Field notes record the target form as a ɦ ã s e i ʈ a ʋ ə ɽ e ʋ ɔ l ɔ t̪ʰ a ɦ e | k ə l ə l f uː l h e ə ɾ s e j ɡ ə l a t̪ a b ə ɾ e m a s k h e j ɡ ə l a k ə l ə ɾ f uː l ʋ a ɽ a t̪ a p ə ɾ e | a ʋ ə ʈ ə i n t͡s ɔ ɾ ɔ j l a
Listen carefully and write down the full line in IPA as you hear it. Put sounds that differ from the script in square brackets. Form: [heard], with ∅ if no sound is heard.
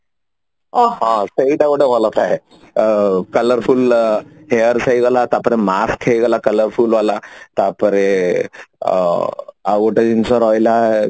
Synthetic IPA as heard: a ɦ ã s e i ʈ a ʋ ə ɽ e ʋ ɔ l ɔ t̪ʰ a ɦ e | k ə l ə [ɾ] f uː l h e ə ɾ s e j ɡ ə l a t̪ a [p] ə ɾ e m a s k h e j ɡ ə l a k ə l ə ɾ f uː l ʋ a [l] a t̪ a p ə ɾ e | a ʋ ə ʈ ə i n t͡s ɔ ɾ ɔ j l a

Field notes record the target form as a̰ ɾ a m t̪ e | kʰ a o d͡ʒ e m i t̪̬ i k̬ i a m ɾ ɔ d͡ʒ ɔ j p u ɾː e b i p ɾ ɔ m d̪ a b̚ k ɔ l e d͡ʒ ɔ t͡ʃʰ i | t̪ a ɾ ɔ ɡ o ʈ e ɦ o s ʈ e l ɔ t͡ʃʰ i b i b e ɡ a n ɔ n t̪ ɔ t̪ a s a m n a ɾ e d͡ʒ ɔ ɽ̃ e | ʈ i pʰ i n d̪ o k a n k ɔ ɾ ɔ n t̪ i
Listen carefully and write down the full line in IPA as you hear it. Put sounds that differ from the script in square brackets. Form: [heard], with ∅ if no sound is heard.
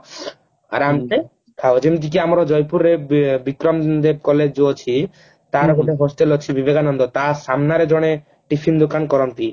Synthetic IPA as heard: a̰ ɾ a m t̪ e | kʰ a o d͡ʒ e m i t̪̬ i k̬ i a m ɾ ɔ d͡ʒ ɔ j p u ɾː e b i [k] ɾ ɔ m d̪ [e] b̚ k ɔ l e d͡ʒ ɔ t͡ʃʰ i | t̪ a ɾ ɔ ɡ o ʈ e ɦ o s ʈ e l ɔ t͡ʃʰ i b i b e ɡ a n ɔ n [d̪] ɔ t̪ a s a m n a ɾ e d͡ʒ ɔ ɽ̃ e | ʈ i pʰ i n d̪ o k a n k ɔ ɾ ɔ n t̪ i

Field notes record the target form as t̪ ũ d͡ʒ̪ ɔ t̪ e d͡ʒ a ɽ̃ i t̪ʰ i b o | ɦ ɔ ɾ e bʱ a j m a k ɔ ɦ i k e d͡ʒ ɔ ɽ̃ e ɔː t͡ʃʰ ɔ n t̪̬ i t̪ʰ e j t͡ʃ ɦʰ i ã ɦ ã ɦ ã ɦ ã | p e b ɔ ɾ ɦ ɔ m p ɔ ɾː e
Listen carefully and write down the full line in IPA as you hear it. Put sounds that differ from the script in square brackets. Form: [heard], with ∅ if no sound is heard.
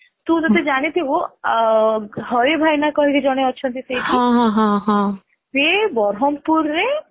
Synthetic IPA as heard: t̪ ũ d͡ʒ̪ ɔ t̪ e d͡ʒ a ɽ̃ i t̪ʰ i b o | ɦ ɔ ɾ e bʱ a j [n] a k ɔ ɦ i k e d͡ʒ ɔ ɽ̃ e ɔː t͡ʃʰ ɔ n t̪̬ i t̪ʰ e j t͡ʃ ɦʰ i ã ɦ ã ɦ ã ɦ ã | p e b ɔ ɾ ɦ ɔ m p [u] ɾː e

